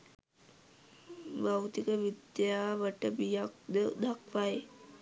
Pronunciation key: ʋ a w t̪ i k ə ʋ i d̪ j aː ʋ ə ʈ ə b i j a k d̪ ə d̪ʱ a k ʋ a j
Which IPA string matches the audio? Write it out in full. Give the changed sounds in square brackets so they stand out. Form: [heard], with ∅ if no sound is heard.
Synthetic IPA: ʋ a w t̪ i k ə ʋ i d̪ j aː ʋ ə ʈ ə b i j a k d̪ ə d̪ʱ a k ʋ a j